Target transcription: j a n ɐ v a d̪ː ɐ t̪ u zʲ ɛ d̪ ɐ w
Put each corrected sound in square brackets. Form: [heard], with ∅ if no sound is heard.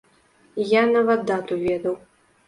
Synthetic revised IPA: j a n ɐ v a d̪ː [a] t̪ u [vʲ] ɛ d̪ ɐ w